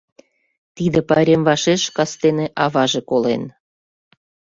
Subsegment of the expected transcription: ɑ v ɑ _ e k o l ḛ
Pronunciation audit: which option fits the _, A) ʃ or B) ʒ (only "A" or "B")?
B